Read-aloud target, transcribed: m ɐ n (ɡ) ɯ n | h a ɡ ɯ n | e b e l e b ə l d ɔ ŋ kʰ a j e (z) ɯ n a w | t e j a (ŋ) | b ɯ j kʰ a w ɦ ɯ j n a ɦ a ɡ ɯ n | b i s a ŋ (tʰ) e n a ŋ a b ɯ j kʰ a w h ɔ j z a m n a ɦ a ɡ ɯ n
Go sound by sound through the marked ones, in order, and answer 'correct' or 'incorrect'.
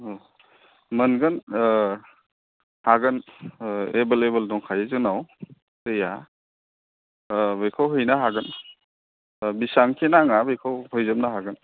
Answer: correct, correct, incorrect: none, incorrect: kʰ

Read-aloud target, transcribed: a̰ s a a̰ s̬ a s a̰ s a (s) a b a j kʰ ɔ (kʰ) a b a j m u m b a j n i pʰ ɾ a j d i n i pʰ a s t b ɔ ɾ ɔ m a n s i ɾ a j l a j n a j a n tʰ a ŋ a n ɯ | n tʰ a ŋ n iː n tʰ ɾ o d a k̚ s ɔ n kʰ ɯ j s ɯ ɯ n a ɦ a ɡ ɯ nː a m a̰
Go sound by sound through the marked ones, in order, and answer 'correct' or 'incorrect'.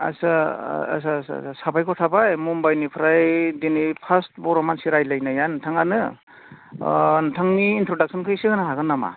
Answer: correct, incorrect: tʰ

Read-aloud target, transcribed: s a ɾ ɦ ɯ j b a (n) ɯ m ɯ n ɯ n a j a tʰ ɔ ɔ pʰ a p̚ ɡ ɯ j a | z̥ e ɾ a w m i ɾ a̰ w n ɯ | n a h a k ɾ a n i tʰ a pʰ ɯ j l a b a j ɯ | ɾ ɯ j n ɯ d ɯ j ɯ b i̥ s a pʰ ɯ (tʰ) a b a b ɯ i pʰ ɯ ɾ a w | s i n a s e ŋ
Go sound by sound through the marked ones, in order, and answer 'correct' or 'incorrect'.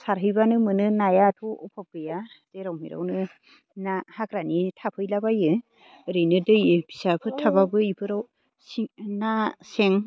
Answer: correct, correct

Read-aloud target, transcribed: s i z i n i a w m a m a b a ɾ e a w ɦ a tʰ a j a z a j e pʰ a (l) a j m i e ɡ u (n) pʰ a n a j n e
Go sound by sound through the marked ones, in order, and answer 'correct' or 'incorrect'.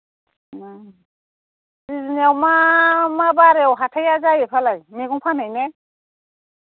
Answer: correct, incorrect: ŋ

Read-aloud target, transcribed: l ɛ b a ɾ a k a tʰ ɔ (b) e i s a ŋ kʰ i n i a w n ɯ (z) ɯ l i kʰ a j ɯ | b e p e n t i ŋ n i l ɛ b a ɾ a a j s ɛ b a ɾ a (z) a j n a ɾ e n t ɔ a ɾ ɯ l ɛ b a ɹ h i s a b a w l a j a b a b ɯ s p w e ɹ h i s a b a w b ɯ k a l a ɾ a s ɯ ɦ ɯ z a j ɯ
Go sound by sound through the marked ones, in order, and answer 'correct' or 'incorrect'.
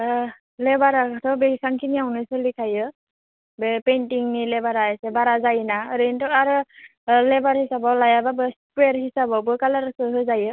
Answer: correct, incorrect: s, correct

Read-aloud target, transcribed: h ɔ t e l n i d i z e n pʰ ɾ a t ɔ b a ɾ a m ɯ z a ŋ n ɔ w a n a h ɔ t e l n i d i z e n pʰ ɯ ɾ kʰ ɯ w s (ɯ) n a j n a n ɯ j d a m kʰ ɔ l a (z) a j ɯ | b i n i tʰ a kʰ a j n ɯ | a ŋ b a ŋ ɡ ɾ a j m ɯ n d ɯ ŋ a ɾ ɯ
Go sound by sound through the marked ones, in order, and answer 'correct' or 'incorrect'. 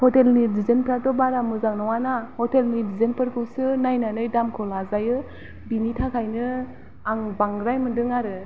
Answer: correct, correct

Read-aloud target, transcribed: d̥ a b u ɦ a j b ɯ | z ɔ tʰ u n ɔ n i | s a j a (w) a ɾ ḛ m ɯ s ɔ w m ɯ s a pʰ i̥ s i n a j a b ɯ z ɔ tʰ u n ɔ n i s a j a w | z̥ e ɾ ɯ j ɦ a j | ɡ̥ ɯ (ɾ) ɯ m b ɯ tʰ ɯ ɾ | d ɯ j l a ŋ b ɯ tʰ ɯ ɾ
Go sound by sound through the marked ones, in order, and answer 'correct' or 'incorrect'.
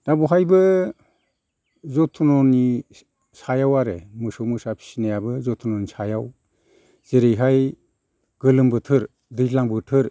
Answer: correct, incorrect: l

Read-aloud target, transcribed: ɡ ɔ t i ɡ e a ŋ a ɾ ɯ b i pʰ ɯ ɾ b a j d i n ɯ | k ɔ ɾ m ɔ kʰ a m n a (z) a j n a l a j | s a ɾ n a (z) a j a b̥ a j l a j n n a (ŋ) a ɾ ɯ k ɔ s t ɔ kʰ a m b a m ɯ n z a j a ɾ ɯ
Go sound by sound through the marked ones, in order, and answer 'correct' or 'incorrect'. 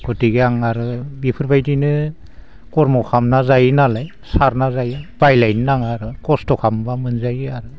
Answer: correct, correct, correct

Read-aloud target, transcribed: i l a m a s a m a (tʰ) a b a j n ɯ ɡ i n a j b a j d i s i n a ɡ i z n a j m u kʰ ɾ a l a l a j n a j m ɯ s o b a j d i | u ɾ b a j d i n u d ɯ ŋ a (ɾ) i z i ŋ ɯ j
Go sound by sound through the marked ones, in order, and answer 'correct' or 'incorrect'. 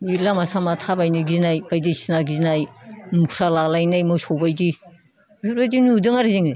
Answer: correct, correct

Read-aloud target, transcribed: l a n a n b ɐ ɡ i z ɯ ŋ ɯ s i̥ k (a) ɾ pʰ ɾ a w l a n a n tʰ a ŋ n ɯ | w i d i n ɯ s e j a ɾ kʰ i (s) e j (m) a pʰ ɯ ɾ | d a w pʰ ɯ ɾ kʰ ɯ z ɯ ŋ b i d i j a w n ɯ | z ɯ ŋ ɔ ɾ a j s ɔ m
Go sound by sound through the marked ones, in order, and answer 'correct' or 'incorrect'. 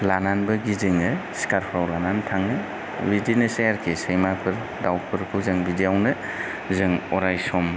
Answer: correct, correct, correct

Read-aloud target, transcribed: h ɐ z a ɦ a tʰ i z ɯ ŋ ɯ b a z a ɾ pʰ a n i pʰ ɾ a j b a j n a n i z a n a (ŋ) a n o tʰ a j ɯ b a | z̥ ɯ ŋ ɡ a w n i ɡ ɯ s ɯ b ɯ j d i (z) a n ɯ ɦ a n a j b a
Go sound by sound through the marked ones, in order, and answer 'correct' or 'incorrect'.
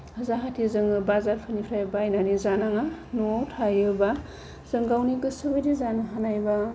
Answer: correct, correct

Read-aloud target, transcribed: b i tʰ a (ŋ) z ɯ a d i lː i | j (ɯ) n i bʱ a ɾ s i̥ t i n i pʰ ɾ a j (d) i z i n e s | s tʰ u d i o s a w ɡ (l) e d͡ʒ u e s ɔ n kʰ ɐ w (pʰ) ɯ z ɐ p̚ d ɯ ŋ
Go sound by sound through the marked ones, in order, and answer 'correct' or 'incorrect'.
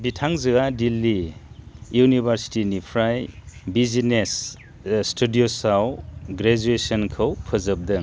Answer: correct, incorrect: u, incorrect: b, incorrect: ɾ, correct

